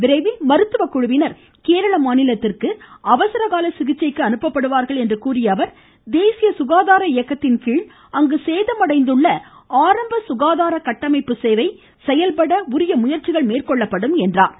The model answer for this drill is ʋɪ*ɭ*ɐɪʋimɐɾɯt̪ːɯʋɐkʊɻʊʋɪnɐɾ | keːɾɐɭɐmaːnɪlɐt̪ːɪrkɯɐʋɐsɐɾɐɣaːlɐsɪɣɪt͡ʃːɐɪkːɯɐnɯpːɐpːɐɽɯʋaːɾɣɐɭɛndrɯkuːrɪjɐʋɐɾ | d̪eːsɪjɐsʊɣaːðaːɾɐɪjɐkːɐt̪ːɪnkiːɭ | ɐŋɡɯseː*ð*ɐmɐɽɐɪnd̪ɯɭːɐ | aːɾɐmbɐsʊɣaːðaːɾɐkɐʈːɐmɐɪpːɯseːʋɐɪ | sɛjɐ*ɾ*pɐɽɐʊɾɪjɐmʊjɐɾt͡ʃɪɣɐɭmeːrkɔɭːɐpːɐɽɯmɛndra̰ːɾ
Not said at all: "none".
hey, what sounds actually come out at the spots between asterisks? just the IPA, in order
ɾ, ð, l

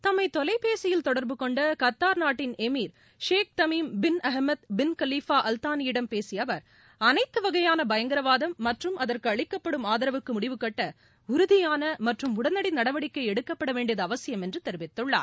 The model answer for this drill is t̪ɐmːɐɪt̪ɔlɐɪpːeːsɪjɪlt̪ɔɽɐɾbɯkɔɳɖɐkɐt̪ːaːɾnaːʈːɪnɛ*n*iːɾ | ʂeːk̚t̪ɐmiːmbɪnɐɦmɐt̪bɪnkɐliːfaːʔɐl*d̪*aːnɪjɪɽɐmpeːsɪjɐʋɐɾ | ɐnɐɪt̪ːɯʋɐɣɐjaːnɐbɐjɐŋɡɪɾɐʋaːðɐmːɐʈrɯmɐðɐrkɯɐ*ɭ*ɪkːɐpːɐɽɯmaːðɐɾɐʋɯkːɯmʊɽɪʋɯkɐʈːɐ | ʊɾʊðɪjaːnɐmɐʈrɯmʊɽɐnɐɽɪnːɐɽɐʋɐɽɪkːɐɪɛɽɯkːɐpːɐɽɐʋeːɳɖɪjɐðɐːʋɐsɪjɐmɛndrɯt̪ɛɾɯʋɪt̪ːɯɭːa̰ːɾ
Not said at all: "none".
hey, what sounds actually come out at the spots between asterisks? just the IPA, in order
m, t̪, ɭ

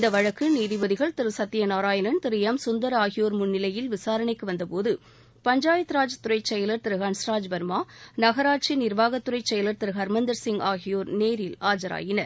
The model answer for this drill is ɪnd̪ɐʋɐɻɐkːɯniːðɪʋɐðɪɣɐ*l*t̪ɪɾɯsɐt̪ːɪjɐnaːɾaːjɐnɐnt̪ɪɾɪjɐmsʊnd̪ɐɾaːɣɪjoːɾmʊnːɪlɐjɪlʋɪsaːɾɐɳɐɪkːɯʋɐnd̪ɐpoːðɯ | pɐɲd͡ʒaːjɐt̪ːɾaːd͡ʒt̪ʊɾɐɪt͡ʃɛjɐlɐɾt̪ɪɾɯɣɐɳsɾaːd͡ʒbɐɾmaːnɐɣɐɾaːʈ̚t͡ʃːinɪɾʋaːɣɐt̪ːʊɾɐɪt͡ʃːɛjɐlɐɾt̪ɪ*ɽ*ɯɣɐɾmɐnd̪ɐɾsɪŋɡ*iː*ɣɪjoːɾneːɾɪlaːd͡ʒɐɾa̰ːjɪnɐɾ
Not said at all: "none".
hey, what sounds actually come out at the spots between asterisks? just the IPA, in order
ɭ, ɾ, aː

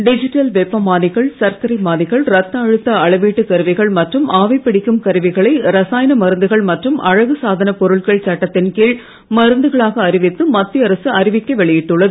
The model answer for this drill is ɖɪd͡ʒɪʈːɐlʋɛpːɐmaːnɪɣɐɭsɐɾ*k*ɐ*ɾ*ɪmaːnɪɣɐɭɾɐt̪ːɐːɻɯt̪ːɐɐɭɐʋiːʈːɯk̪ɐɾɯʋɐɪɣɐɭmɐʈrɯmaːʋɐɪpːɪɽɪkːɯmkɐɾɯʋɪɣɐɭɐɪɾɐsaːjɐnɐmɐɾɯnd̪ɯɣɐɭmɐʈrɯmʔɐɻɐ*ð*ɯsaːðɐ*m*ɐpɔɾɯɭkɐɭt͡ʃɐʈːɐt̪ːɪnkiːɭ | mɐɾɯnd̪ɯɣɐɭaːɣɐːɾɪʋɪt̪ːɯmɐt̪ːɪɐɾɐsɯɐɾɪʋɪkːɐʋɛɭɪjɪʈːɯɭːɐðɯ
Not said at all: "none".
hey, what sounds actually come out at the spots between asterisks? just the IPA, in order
k, ɾ, ɣ, n

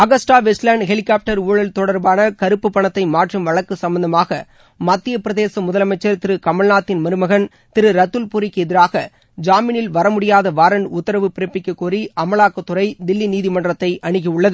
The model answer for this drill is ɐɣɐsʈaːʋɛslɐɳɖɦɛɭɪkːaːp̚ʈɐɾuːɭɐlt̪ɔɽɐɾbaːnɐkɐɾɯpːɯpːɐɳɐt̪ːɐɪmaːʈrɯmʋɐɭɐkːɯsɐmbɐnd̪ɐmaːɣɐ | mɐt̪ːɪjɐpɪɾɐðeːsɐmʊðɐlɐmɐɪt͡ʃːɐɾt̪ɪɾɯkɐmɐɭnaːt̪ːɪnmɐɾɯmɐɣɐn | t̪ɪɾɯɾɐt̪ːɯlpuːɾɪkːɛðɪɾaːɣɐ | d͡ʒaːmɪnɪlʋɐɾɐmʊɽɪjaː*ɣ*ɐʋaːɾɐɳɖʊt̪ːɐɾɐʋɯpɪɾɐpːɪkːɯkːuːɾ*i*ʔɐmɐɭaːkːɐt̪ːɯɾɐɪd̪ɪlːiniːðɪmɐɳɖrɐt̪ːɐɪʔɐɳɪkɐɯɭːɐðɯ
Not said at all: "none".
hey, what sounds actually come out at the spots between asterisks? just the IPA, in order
ð, i

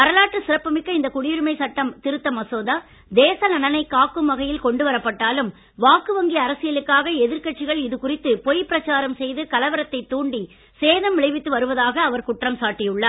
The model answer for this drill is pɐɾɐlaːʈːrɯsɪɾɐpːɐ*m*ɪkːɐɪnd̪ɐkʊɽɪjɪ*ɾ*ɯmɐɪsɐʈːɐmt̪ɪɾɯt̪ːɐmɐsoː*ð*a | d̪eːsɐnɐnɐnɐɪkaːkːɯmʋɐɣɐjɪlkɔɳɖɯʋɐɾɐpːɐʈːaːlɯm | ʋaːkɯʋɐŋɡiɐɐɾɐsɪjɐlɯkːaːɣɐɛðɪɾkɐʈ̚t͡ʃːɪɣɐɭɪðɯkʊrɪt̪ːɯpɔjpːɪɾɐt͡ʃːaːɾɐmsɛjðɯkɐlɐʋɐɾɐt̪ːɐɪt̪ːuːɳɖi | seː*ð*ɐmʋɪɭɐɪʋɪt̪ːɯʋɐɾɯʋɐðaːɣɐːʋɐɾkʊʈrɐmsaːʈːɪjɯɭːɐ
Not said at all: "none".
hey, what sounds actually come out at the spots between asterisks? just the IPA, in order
m, ɾ, ð, ð

